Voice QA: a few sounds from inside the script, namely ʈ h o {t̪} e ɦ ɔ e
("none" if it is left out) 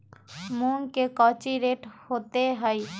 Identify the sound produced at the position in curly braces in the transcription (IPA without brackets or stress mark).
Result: t̪